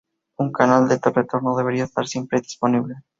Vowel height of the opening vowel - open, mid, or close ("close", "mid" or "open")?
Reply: close